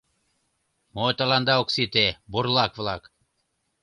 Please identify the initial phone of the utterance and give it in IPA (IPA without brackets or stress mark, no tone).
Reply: m